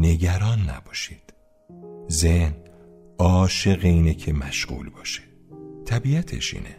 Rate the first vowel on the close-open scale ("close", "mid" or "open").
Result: mid